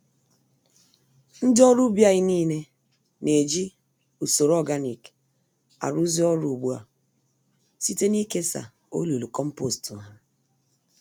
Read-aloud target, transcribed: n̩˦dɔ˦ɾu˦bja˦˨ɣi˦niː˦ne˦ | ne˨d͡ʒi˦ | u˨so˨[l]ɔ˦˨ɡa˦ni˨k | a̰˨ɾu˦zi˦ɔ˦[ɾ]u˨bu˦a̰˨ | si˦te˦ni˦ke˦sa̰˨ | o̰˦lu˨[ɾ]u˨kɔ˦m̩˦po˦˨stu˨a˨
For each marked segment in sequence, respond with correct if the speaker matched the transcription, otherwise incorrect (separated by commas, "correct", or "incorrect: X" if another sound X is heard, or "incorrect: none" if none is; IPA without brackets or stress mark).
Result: incorrect: ɾ, correct, incorrect: l